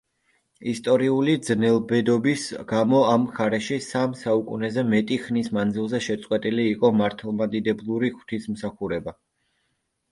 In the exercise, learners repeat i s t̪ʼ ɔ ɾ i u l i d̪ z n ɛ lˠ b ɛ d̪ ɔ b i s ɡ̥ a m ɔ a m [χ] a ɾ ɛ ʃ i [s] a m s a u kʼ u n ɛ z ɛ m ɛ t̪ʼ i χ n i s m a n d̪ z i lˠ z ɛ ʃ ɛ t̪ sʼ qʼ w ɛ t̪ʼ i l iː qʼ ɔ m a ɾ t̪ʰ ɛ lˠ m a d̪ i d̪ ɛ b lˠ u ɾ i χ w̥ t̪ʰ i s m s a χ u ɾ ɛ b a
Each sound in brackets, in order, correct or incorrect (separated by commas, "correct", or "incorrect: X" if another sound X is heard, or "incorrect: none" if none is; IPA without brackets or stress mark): correct, correct